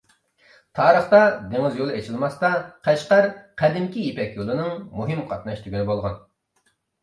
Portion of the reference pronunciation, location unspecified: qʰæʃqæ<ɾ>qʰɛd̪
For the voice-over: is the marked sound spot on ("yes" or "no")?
yes